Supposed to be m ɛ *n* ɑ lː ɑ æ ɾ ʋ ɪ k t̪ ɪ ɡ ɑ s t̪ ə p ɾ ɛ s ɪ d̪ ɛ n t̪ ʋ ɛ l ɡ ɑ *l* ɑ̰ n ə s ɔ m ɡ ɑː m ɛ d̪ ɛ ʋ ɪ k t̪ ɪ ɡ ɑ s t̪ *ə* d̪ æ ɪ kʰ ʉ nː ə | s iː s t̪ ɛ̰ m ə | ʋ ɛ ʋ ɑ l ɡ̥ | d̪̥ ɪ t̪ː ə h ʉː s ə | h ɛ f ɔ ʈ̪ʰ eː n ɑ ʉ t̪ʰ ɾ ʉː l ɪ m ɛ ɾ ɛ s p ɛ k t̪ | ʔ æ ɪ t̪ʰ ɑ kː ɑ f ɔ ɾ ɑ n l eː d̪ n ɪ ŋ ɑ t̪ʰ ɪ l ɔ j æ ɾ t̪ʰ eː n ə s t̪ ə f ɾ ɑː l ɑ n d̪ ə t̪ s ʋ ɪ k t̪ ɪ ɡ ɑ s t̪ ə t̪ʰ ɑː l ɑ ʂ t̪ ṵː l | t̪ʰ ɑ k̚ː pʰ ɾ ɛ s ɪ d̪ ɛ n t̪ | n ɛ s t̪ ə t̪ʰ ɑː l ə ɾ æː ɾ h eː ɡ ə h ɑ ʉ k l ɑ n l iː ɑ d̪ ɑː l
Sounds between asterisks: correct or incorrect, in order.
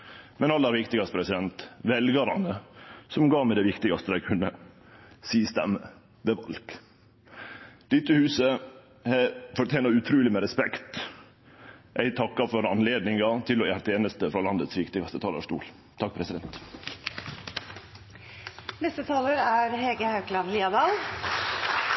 correct, incorrect: ɾ, correct

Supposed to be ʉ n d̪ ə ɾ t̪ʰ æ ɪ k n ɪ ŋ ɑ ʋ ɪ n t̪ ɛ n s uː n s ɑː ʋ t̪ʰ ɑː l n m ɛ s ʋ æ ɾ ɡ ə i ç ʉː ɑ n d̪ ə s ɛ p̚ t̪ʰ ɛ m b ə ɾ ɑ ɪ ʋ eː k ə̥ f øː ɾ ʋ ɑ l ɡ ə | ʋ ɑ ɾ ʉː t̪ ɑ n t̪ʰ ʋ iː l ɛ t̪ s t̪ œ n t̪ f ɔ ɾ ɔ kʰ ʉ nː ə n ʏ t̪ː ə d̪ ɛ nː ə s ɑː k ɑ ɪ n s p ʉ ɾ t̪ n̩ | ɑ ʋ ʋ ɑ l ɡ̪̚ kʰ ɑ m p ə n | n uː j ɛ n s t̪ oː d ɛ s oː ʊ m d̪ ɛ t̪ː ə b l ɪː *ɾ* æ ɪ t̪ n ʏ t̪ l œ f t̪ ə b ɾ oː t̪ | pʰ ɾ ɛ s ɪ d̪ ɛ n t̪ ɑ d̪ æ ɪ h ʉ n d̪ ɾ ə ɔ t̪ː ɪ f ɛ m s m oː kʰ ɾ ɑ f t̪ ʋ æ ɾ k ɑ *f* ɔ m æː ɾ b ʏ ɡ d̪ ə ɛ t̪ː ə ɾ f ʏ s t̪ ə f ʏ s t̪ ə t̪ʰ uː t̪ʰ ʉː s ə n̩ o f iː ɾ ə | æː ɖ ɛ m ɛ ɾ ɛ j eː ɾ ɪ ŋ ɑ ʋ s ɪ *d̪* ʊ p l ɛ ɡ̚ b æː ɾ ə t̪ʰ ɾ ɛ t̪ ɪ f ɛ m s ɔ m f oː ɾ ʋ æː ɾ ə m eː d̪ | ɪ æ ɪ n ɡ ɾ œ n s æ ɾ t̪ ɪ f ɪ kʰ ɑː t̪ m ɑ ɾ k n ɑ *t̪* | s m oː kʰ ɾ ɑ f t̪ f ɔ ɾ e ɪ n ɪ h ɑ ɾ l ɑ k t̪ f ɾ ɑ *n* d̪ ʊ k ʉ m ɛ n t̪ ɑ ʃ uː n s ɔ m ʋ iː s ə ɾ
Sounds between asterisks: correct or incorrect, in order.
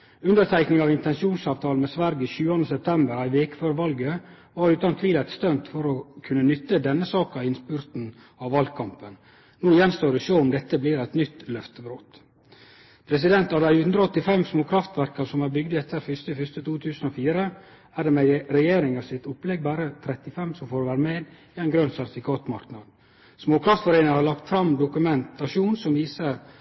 correct, incorrect: s, incorrect: t̪, incorrect: d̪, incorrect: m

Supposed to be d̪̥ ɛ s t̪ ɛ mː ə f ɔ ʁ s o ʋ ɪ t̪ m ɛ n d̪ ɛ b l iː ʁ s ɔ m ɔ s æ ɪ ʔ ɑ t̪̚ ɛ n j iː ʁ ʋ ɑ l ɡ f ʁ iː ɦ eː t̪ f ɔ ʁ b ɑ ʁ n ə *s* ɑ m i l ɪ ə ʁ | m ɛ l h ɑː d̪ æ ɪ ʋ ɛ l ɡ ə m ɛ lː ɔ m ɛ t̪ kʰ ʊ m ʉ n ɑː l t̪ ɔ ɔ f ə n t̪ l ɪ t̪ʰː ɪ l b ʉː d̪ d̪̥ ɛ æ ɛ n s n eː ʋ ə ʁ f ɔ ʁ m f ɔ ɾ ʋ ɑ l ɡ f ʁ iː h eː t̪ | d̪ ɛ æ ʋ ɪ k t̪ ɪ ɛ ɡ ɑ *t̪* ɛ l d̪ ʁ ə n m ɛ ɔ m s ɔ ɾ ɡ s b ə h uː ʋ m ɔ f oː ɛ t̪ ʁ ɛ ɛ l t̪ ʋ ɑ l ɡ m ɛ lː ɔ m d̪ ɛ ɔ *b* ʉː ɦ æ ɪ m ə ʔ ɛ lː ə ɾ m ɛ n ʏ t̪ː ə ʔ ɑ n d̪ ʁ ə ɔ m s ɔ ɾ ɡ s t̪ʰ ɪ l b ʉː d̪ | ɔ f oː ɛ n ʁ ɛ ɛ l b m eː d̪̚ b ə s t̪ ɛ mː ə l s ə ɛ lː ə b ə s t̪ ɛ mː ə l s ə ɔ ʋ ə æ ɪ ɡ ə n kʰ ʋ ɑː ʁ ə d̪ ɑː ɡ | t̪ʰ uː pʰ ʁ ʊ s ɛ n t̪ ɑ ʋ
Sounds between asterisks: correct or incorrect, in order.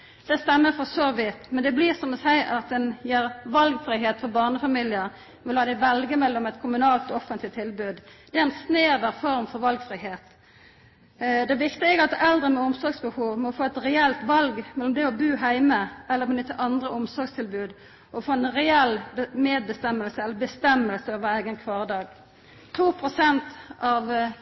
incorrect: f, correct, correct

